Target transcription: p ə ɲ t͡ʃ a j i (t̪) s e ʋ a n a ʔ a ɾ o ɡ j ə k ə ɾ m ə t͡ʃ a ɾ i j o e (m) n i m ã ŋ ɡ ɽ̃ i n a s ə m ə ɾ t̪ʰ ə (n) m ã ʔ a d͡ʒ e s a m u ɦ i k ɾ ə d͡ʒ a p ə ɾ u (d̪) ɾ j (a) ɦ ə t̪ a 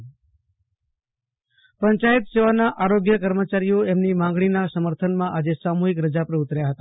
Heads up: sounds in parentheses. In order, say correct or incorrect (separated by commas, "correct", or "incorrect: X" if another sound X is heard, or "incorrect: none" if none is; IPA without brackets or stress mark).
correct, correct, correct, incorrect: t̪, correct